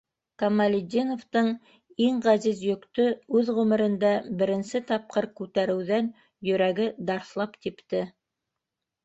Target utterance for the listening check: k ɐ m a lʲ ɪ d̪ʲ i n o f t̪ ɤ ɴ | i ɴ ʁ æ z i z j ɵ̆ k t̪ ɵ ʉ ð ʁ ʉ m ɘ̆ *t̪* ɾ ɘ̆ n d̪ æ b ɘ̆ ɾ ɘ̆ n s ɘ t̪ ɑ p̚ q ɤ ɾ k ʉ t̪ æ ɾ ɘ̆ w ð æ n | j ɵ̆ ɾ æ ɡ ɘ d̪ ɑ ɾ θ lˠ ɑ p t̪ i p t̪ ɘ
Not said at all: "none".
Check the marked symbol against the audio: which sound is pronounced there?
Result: none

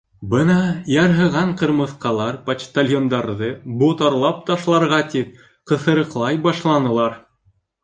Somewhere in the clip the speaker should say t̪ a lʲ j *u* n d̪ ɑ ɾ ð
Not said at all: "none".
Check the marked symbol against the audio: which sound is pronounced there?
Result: o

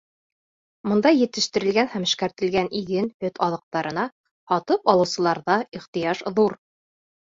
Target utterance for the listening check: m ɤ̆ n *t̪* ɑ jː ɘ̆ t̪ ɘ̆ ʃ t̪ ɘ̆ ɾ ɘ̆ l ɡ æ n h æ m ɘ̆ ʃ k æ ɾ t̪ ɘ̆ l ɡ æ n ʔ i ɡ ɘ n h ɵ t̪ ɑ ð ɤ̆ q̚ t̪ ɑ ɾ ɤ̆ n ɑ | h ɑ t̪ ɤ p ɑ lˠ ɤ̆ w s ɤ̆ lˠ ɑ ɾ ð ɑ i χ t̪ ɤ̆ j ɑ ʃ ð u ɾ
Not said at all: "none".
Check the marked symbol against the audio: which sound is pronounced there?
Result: d̪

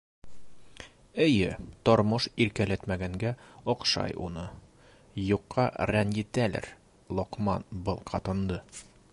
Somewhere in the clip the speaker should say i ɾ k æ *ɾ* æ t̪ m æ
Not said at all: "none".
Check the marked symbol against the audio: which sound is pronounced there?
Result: l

